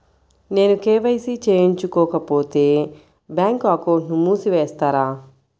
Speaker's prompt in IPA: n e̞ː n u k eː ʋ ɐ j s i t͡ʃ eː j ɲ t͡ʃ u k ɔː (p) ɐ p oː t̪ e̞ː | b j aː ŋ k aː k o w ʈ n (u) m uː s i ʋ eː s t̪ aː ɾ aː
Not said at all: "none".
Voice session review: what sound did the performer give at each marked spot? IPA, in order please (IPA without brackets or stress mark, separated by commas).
k, u